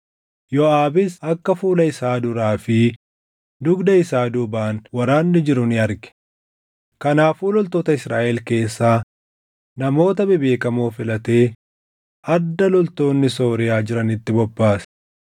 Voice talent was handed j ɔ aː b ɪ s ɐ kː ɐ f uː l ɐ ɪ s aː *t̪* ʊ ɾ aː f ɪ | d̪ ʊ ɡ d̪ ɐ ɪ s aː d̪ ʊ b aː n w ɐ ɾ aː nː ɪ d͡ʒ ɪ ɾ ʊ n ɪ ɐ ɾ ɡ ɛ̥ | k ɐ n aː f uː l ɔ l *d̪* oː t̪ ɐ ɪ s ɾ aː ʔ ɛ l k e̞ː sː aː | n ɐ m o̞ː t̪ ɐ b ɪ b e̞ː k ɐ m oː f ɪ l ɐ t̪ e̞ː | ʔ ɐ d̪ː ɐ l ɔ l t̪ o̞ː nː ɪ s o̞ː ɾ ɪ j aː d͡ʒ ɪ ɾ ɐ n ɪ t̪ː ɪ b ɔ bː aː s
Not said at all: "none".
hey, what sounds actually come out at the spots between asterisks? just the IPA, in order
d̪, t̪

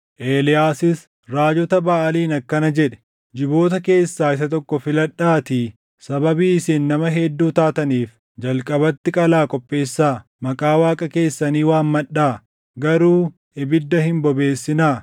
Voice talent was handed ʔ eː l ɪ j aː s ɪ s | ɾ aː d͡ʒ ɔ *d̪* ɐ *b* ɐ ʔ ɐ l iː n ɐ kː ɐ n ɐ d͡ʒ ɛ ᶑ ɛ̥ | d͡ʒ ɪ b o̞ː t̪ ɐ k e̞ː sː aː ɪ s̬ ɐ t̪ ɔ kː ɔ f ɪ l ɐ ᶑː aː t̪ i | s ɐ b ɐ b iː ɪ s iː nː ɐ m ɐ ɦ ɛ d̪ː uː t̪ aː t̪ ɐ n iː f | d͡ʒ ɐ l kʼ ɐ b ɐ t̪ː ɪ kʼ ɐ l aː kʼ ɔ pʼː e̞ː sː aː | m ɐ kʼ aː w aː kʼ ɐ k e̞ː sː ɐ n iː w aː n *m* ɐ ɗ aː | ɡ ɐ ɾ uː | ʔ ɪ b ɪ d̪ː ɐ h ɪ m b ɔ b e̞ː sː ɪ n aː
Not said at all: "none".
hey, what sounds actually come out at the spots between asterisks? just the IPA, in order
t̪, b, m

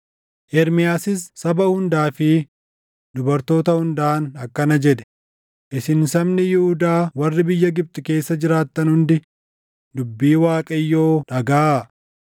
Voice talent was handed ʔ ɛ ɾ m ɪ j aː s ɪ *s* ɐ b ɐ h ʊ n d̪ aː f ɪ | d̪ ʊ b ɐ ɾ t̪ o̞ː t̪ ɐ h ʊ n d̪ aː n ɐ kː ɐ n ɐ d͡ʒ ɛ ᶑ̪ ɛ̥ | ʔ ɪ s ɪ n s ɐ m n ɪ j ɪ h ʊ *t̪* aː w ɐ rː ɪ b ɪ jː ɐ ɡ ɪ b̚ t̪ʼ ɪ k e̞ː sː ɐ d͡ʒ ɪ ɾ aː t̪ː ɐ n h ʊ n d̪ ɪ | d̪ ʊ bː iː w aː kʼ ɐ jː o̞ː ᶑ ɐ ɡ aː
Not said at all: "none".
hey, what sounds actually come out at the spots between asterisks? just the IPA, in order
sː, d̪

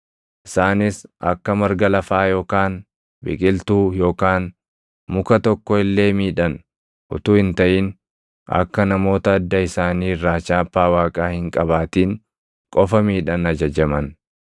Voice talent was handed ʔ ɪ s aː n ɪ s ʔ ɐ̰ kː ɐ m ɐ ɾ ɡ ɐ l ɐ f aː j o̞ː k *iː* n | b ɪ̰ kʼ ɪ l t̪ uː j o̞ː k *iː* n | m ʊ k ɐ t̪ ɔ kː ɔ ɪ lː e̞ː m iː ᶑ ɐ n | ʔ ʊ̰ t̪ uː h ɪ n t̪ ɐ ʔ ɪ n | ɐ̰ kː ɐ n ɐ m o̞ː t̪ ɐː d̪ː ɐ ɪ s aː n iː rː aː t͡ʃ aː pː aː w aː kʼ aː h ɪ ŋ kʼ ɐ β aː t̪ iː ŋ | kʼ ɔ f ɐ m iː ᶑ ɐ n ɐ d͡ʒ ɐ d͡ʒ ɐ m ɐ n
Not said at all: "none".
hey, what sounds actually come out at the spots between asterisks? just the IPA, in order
aː, aː

